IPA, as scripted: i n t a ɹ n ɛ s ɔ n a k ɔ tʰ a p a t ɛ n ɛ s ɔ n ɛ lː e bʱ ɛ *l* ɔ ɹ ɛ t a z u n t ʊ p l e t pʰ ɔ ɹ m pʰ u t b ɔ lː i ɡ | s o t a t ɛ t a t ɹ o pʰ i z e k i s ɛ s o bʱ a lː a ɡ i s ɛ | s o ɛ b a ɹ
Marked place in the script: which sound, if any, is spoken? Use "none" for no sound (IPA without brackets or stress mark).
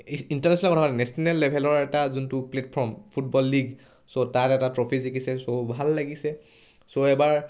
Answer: l